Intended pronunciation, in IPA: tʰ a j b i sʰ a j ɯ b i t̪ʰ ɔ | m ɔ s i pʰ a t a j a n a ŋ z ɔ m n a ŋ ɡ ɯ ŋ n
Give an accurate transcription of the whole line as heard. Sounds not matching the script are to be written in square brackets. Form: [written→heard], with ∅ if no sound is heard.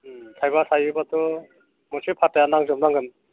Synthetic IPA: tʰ a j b [i→a] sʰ a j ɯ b [i→a] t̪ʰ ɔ | m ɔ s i pʰ a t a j a n a ŋ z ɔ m n a ŋ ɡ ɯ [ŋ→∅] n